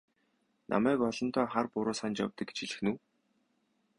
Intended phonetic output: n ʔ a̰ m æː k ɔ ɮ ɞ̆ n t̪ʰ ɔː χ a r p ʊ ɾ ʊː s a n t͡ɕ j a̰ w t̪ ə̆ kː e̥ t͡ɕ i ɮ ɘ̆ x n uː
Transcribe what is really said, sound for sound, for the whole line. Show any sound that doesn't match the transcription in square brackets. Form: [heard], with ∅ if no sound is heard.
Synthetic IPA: n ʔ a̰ m æː k ɔ ɮ ɞ̆ n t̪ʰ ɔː χ a r p ʊ ɾ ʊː s a n t͡ɕ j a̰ w t̪ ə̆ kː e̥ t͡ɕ i ɮ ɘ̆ x n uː